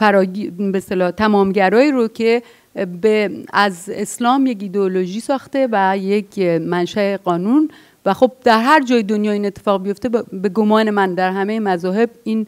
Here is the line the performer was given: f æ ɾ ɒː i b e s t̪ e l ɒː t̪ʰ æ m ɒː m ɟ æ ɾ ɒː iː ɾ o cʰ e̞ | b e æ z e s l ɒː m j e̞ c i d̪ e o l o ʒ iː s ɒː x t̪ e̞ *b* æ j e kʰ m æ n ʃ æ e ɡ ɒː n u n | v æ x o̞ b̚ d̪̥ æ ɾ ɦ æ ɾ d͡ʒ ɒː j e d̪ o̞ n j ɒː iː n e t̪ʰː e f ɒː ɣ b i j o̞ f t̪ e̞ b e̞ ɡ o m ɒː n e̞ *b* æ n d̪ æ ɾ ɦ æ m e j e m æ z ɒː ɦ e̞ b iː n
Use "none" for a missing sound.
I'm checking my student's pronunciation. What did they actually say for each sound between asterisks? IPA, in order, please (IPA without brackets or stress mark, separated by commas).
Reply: v, m